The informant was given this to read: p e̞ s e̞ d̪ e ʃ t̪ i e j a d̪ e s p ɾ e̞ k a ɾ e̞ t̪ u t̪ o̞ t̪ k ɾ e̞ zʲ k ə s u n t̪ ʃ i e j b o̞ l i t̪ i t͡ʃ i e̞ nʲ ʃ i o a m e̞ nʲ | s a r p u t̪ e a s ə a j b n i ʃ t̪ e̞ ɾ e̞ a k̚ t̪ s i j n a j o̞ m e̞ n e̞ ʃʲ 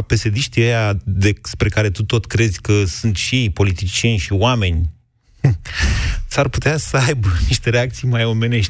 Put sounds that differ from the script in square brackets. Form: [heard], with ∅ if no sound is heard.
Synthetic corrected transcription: p e̞ s e̞ d̪ [i] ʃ t̪ i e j a d̪ e s p ɾ e̞ k a ɾ e̞ t̪ u t̪ o̞ t̪ k ɾ e̞ zʲ k ə s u n t̪ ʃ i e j [p] o̞ l i t̪ i t͡ʃ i e̞ nʲ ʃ i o a m e̞ nʲ | s a r p u t̪ e a s ə a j b n i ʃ t̪ e̞ ɾ e̞ a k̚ t̪ s i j [m] a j o̞ m e̞ n e̞ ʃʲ